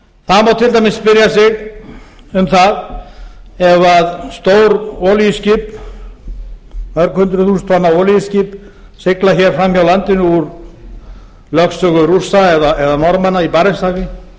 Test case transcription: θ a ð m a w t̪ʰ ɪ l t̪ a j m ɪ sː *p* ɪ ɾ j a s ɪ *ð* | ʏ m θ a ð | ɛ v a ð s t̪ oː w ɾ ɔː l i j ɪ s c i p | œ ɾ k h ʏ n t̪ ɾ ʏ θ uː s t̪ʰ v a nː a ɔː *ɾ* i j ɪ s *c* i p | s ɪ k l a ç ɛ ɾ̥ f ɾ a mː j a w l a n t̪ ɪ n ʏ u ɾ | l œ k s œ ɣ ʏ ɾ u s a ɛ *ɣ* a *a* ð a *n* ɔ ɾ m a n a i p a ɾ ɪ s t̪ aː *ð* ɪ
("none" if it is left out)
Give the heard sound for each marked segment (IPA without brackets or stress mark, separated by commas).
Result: p, ɣ, l, c, ð, ɛ, n, ɣ